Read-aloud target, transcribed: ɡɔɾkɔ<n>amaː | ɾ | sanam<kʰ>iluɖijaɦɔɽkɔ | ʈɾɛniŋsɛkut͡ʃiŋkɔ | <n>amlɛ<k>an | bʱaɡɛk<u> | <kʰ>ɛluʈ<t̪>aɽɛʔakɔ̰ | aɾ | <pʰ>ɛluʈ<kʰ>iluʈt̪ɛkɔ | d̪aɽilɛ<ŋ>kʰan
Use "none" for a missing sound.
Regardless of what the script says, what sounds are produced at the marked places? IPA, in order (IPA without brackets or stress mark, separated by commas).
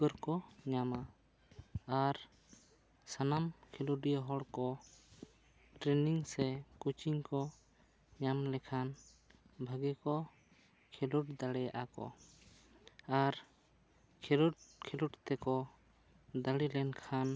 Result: ɲ, kʰ, ɲ, kʰ, ɔ, kʰ, d̪, kʰ, kʰ, n